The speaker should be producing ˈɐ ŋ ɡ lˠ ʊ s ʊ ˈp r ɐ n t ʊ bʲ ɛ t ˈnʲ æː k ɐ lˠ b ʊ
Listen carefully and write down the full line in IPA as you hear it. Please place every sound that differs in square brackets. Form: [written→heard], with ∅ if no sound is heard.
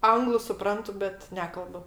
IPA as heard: ˈɐ ŋ ɡ lˠ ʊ s ʊ ˈp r ɐ n t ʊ bʲ ɛ t ˈnʲ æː k ɐ lˠ b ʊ